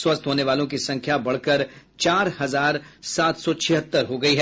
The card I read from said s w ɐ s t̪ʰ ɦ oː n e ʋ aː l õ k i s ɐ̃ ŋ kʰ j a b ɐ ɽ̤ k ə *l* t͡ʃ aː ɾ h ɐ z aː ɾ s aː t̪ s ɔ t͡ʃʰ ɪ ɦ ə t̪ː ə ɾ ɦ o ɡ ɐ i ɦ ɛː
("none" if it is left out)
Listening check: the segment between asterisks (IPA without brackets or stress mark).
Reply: ɾ